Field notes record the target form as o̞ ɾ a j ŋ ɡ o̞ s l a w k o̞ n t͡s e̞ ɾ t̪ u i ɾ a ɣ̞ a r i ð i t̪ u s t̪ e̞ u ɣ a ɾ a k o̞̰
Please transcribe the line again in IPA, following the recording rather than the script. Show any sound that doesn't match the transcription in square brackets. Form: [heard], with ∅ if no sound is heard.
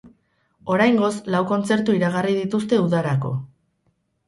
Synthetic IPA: o̞ ɾ a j ŋ ɡ o̞ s l a w k o̞ n t͡s e̞ ɾ t̪ u i ɾ a ɣ̞ a r i ð i t̪ u s t̪ e̞ u [ð] a ɾ a k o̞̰